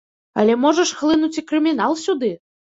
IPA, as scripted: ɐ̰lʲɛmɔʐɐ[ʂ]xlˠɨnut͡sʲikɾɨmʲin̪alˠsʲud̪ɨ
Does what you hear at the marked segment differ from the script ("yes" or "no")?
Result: no